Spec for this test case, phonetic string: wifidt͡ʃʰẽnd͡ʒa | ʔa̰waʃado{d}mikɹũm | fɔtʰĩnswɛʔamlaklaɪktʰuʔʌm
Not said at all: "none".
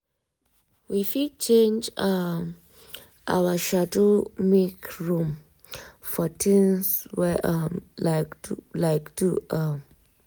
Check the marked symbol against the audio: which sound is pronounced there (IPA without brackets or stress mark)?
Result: none